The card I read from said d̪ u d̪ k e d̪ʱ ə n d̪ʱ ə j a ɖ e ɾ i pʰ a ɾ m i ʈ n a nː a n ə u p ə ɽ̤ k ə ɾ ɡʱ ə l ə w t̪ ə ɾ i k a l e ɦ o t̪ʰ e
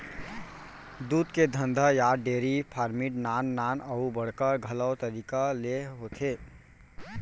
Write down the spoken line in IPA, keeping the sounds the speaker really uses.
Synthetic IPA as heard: d̪ u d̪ k e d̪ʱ ə n d̪ʱ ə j a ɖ e ɾ i pʰ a ɾ m i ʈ n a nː a n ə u b ə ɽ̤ k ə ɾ ɡʱ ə l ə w t̪ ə ɾ i k a l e ɦ o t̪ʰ e